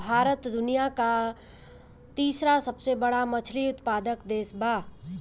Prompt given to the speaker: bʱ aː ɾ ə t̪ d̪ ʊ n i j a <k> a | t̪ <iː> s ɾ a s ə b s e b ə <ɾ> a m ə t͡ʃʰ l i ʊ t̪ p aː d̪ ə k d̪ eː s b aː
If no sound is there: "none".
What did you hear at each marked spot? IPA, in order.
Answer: k, iː, ɽ

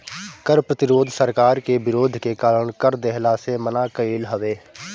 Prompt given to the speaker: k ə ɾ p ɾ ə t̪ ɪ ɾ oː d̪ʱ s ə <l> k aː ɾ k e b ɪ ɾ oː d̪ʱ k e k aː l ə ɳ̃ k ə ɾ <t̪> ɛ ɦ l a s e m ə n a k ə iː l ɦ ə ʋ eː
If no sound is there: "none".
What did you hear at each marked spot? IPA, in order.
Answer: ɾ, d̪

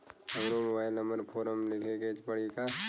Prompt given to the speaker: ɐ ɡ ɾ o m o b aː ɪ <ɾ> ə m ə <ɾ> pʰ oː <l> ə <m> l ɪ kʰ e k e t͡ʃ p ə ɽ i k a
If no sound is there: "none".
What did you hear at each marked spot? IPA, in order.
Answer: l, ɾ, ɾ, m

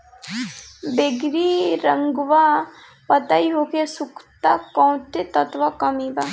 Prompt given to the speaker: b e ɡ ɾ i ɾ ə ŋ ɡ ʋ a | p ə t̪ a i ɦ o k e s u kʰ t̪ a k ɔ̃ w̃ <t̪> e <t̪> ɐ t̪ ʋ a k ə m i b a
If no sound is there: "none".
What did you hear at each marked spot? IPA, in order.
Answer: t̪, t̪

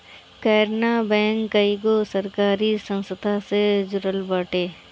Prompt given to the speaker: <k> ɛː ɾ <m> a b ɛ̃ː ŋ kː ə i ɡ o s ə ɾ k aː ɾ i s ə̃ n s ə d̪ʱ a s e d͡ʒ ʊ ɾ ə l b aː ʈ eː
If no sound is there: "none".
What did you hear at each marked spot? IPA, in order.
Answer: k, n

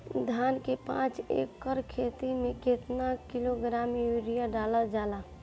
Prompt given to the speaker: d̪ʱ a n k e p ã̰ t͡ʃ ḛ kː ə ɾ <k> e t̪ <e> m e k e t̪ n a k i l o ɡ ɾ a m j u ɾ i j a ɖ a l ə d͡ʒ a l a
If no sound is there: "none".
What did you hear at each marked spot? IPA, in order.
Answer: kʰ, i

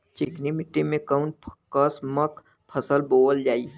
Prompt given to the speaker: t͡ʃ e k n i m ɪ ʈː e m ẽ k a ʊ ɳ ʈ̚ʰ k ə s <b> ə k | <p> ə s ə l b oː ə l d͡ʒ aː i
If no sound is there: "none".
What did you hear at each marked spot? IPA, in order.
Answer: m, pʰ

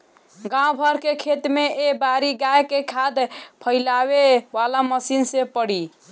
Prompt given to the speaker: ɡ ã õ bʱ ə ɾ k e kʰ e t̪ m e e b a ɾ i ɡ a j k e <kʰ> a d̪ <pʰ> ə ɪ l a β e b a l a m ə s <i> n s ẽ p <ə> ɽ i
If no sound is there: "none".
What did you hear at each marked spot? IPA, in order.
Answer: kʰ, pʰ, i, ə

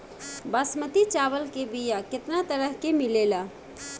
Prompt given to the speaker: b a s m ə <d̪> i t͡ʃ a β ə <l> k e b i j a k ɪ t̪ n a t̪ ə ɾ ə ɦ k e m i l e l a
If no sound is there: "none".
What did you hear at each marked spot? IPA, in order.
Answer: t̪, l

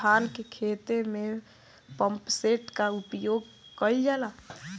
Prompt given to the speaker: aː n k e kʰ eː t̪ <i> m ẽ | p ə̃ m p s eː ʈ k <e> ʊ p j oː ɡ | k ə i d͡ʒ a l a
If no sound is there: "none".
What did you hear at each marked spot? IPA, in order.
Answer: e, a

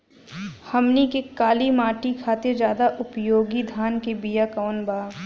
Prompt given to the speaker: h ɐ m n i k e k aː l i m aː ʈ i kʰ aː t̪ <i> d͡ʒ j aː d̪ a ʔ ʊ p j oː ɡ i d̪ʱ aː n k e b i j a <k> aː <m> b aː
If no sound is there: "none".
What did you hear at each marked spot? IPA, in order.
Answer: e, k, n

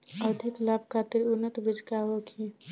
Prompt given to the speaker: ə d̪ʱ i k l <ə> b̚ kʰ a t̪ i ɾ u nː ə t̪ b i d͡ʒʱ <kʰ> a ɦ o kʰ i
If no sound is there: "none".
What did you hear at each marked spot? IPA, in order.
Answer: a, k

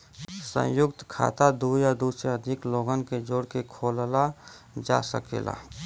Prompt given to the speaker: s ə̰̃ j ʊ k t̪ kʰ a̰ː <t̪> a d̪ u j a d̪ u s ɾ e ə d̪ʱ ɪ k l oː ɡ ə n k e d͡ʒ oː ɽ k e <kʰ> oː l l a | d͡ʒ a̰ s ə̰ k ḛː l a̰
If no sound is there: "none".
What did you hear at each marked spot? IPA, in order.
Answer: t̪, kʰ

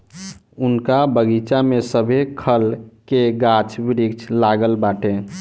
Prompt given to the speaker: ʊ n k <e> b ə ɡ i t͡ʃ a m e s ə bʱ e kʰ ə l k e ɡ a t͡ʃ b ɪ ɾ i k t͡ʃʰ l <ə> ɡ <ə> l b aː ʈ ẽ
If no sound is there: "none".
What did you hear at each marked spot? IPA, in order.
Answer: a, a, ə

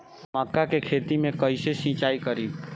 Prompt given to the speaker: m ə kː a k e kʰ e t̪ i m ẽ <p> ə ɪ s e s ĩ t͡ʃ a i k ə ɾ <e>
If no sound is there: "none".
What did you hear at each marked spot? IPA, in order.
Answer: k, i

